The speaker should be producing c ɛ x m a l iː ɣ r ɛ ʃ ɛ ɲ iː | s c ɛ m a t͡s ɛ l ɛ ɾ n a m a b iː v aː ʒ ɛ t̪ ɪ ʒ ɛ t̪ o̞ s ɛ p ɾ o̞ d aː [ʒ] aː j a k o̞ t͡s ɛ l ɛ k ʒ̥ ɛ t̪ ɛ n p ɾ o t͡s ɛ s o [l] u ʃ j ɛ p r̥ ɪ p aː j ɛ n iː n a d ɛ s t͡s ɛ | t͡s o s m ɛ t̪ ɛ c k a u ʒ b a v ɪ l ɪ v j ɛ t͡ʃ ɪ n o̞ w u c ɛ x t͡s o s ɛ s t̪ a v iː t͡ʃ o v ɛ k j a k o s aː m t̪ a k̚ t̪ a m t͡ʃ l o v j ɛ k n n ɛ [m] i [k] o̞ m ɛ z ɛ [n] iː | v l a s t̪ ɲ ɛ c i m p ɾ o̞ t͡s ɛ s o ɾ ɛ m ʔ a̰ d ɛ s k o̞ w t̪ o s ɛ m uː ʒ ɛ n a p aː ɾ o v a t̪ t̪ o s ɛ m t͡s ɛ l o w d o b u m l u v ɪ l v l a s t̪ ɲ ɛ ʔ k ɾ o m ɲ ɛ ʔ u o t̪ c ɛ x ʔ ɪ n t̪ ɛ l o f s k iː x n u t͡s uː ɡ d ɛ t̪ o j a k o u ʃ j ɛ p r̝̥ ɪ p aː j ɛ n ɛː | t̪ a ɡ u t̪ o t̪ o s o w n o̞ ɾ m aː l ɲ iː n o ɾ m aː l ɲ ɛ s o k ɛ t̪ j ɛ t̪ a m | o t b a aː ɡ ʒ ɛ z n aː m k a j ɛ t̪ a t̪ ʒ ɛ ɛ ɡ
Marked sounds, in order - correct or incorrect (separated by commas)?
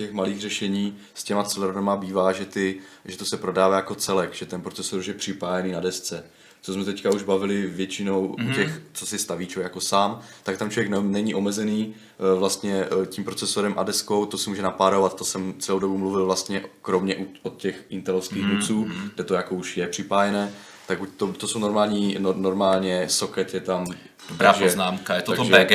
incorrect, incorrect, incorrect, incorrect, correct